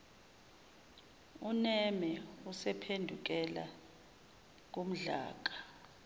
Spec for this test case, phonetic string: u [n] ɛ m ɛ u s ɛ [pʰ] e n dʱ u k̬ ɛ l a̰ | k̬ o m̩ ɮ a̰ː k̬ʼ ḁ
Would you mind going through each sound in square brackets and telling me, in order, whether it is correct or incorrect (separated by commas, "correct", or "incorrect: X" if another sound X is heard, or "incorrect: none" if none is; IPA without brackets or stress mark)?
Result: correct, correct